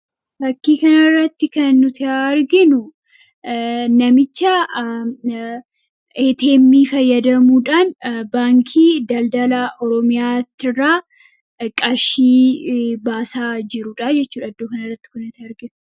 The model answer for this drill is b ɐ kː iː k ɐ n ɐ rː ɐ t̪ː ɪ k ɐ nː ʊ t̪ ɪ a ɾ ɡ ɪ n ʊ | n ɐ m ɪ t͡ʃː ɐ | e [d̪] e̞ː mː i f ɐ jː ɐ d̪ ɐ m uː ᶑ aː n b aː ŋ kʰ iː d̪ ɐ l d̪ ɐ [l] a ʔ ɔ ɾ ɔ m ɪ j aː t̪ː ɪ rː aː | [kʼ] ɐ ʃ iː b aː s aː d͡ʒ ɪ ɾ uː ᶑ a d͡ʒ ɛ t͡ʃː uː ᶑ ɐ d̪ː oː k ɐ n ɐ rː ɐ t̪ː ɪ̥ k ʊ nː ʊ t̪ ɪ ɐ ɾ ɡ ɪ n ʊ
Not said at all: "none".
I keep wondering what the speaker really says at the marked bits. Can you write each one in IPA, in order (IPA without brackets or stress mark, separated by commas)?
t̪, l, kʼ